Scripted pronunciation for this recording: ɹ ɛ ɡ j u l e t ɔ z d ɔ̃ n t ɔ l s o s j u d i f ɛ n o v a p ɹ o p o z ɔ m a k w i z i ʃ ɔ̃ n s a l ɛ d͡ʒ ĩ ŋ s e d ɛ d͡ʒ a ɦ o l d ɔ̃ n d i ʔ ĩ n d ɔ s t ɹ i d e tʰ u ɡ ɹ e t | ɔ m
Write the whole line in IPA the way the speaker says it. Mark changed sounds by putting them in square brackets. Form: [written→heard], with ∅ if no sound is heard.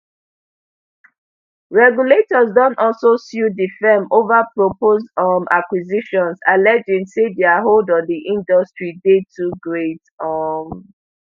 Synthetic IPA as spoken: ɹ ɛ ɡ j u l e t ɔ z d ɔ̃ n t ɔ l s o s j u d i f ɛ [n→m] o v a p ɹ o p o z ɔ m a k w i z i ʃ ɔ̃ n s a l ɛ d͡ʒ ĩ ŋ s e d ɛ [d͡ʒ→∅] a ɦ o l d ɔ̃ n d i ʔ ĩ n d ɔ s t ɹ i d e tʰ u ɡ ɹ e t | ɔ m